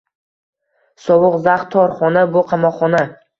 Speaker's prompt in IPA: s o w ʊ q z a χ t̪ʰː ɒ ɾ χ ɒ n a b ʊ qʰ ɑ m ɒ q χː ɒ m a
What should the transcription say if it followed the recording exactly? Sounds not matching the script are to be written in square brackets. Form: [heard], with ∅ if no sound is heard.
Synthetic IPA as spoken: s [ɒ] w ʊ q z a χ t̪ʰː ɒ ɾ χ ɒ n a b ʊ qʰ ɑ m ɒ q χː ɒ [n] a